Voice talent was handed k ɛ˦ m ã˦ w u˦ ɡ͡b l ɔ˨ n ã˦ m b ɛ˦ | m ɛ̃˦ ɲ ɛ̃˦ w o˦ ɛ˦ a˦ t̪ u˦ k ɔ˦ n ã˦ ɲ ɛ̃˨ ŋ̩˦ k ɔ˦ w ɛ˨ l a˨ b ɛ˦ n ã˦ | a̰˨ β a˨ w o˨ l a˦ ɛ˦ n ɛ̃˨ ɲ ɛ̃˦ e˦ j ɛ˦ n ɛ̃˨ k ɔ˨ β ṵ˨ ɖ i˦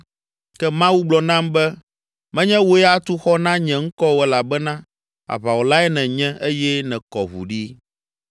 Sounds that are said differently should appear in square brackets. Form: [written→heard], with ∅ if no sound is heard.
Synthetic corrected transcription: k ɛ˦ m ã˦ w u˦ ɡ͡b l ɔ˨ n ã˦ m b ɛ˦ | m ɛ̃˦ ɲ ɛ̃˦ w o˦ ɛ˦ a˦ t̪ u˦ [k→x] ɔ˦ n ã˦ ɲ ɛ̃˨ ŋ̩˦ k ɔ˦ w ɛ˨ l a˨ b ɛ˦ n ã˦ | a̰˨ β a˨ w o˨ l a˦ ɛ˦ n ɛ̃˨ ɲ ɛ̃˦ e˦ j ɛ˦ n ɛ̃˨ k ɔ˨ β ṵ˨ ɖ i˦